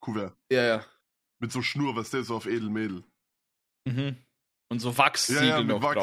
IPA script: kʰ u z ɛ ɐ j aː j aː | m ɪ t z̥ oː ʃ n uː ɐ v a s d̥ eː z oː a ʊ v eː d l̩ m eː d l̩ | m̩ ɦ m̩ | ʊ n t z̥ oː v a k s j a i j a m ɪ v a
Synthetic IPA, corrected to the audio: kʰ u v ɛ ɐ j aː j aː | m ɪ t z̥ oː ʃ n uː ɐ v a s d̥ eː z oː a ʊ f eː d l̩ m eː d l̩ | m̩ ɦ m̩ | ʊ n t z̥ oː v a k s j a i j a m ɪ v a